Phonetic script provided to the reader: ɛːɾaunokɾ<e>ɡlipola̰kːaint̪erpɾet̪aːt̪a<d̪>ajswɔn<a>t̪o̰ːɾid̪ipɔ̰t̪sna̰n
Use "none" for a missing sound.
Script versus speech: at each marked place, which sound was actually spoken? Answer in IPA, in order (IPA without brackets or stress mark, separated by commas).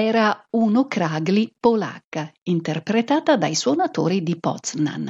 a, d̪, a